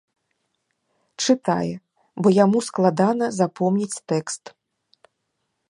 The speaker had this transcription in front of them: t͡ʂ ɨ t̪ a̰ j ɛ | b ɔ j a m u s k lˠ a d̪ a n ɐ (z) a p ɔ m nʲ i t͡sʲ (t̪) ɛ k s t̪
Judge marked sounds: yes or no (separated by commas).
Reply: yes, yes